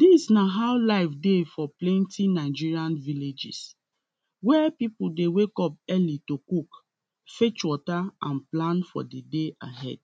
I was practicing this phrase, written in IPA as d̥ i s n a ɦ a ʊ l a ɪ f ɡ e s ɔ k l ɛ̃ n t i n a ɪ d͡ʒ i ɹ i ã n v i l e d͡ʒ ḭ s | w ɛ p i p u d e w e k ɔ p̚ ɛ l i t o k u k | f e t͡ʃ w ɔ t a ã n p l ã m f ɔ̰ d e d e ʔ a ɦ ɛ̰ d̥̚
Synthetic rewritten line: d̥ i s n a ɦ a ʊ l a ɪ f d e f ɔ p l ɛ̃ n t i n a ɪ d͡ʒ i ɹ i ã n v i l e d͡ʒ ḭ s | w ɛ p i p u d e w e k ɔ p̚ ɛ l i t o k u k | f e t͡ʃ w ɔ t a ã n p l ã n f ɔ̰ d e d e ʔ a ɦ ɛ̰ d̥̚